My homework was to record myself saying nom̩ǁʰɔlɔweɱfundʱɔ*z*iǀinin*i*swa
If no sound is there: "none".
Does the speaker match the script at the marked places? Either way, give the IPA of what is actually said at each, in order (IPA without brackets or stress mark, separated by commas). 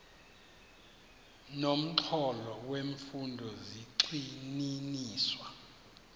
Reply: z, iː